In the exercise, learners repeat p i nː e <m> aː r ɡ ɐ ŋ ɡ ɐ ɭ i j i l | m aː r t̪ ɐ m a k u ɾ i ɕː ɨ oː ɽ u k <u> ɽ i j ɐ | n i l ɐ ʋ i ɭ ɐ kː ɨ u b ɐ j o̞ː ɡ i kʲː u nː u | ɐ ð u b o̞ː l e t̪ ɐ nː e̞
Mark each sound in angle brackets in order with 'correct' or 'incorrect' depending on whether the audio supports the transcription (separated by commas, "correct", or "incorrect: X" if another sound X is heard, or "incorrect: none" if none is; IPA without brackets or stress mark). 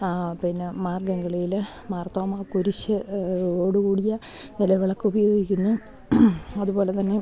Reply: correct, incorrect: uː